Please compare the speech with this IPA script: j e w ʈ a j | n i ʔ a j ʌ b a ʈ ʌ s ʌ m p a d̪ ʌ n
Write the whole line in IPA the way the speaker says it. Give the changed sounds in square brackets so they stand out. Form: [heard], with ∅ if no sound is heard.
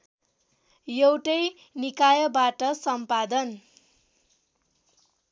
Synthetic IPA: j e w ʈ [ʌ] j | n i [k] a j ʌ b a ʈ ʌ s ʌ m p a d̪ ʌ n

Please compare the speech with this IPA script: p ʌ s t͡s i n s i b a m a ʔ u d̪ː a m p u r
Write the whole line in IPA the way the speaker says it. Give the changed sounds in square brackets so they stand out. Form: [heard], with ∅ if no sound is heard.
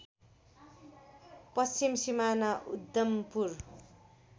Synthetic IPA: p ʌ s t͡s i [m] s i [m] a [n] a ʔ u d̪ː [ʌ] m p u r

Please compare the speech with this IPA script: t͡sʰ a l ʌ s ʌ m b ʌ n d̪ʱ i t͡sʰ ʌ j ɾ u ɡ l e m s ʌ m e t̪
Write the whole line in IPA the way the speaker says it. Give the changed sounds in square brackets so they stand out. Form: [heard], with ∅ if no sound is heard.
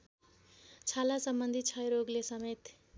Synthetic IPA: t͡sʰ a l [a] s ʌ m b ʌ n d̪ʱ i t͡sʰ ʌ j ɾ [o] ɡ l e [∅] s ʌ m e t̪

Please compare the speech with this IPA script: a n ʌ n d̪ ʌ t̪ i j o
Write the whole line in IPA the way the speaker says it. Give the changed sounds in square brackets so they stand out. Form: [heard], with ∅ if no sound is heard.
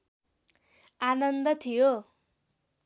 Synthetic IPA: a n ʌ n d̪ ʌ [t̪ʰ] i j o

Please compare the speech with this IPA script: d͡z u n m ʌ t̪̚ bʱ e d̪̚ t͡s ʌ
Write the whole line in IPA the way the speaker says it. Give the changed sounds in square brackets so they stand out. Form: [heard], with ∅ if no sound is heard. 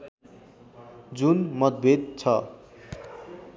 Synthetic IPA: d͡z u n m ʌ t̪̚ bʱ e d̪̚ [t͡sʰ] ʌ

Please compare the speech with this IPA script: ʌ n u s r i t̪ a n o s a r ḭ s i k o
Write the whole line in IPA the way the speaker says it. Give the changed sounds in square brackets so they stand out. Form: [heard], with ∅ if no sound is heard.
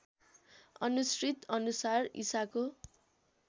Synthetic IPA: ʌ n u s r i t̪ [ʌ] n [u] s a r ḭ s [a] k o

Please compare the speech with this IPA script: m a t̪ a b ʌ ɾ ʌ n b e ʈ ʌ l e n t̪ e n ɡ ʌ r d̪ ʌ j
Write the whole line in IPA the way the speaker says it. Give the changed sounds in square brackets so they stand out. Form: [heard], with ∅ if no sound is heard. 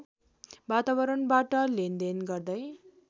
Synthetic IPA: [b] a t̪ a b ʌ ɾ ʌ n b [a] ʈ ʌ l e n [d̪] e n ɡ ʌ r d̪ ʌ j

